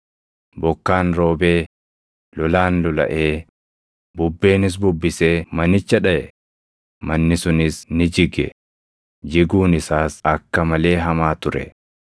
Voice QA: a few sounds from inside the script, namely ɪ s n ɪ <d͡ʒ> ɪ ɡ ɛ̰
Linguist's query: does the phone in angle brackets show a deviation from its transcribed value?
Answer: no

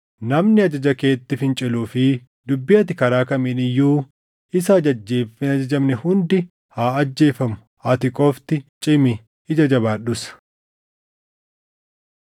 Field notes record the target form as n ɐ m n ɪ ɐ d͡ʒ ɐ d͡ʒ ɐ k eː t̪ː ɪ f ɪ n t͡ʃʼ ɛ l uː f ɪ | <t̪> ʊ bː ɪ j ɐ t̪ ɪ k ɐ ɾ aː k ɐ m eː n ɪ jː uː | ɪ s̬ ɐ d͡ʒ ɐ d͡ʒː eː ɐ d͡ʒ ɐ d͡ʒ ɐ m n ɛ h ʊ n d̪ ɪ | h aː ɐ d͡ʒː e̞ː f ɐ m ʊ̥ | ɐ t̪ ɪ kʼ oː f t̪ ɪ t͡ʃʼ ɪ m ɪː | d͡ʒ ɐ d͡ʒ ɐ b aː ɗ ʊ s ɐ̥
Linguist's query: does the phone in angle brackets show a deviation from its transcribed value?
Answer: yes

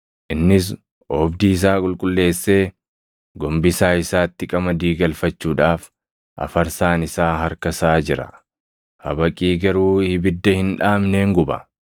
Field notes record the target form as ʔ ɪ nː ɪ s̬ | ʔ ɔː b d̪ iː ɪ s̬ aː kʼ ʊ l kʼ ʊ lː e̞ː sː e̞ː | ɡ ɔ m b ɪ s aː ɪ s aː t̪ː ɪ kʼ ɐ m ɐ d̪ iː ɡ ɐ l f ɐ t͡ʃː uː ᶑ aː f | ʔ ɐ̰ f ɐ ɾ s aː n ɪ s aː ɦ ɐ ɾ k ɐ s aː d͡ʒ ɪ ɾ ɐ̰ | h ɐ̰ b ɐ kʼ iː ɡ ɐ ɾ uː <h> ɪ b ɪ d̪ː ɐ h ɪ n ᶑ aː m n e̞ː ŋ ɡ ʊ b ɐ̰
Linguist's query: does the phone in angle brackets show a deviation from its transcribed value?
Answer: no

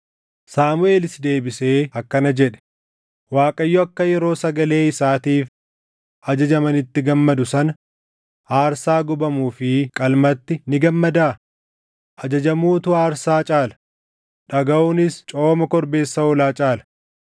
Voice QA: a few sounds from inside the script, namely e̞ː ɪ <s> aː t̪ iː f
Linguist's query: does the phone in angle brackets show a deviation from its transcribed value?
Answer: no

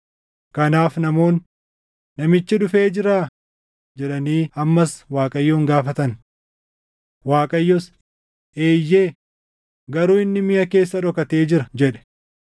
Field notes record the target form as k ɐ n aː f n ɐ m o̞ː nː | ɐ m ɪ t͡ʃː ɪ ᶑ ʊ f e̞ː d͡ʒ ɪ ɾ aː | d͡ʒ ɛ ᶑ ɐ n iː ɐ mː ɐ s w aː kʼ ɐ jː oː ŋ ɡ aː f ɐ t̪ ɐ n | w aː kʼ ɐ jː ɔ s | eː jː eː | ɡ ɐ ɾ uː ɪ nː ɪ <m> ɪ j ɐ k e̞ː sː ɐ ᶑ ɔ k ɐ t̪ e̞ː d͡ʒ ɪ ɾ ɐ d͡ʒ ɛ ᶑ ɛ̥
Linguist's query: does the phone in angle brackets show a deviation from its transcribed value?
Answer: no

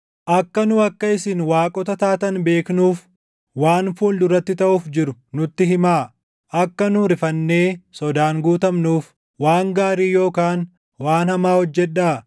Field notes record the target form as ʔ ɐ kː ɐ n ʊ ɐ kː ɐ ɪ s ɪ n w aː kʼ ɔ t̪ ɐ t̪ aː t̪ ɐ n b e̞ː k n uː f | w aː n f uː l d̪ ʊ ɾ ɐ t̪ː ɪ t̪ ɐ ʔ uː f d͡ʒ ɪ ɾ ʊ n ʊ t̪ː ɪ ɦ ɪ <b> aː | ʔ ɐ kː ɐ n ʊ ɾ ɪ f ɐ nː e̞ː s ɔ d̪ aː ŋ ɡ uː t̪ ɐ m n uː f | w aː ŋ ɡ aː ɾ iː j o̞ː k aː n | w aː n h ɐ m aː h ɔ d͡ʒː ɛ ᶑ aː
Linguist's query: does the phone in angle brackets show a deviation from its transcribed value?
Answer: yes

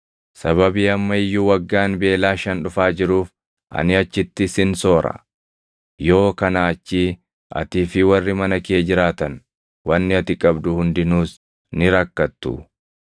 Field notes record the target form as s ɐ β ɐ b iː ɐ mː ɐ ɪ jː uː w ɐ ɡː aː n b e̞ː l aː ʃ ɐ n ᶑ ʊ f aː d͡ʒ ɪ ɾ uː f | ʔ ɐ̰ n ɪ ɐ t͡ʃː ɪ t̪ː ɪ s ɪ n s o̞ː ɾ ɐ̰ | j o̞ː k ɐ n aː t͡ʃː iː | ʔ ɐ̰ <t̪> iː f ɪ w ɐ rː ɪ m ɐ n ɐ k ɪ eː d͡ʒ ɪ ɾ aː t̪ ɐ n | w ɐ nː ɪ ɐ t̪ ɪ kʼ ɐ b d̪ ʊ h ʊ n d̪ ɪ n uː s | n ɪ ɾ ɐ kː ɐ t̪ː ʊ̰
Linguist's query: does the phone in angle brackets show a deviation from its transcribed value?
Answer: no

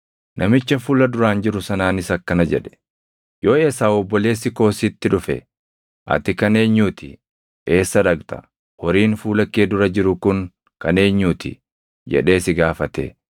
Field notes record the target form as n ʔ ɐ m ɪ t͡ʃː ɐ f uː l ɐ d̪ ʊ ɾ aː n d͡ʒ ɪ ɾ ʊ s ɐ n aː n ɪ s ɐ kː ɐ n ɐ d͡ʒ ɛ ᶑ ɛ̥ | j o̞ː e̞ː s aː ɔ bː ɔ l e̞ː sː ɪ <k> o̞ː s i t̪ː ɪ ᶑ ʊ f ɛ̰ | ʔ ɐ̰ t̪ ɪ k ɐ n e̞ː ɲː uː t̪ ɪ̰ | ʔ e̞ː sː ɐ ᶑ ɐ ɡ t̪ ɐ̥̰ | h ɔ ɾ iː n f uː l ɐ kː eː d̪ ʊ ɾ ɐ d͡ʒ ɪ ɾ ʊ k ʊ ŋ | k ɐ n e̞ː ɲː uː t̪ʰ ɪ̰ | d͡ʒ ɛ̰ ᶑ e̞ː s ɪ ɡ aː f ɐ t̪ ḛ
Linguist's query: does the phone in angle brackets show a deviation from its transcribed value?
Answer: no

